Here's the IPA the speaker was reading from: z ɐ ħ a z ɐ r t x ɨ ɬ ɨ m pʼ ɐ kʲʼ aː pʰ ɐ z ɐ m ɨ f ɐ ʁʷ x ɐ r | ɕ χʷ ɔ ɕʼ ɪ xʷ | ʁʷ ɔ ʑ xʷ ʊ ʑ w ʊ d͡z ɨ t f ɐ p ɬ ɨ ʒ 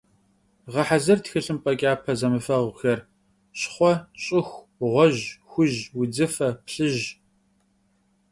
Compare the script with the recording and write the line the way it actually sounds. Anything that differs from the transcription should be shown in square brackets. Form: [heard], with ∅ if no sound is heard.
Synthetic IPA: [ʁ] ɐ ħ a z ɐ r t x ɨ ɬ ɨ m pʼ ɐ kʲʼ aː pʰ ɐ z ɐ m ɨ f ɐ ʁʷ x ɐ r | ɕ χʷ ɔ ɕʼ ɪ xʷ | ʁʷ ɔ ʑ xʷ ʊ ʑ w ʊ d͡z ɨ [∅] f ɐ p ɬ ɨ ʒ